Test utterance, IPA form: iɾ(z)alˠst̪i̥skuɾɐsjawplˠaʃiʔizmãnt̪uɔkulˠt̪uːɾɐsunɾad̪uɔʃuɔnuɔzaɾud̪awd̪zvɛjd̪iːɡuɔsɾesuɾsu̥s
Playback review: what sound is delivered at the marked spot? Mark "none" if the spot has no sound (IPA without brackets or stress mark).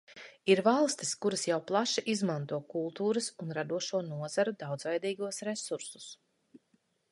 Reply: v